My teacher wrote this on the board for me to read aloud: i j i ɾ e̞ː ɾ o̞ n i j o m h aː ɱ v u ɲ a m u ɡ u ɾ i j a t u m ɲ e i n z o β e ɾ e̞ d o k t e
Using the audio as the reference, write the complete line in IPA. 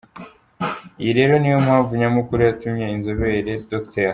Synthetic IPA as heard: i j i ɾ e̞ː ɾ o̞ n i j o m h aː ɱ v u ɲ a m u k u ɾ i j a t u m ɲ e i n z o β e ɾ e̞ d o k t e